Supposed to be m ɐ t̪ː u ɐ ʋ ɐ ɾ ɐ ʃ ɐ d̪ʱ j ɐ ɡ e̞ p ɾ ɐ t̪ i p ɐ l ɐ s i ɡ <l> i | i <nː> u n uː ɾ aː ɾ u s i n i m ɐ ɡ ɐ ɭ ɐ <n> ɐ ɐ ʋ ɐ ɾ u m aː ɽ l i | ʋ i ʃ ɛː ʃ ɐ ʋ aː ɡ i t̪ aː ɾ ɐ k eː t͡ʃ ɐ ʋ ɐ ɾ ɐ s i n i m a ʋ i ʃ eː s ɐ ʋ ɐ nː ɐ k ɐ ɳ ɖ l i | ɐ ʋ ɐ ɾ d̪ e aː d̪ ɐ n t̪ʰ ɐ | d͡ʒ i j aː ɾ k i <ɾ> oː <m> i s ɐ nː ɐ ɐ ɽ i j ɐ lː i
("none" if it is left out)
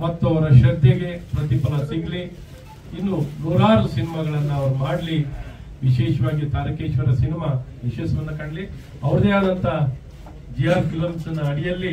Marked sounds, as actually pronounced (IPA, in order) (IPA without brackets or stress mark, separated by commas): l, nː, nː, l, m